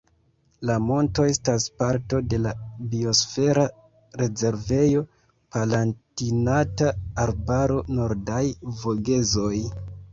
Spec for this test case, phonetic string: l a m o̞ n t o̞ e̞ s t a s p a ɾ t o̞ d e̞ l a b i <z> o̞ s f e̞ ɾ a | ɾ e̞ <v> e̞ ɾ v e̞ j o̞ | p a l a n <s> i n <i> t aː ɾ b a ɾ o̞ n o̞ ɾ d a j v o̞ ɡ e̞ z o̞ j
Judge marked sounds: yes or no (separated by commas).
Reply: no, no, no, no